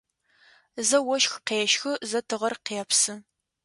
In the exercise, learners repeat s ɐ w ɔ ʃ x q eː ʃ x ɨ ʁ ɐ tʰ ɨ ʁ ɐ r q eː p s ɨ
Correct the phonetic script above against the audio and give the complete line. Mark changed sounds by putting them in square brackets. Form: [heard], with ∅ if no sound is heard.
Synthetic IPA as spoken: [z] ɐ w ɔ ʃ x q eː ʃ x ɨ [z] ɐ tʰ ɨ ʁ ɐ r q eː p s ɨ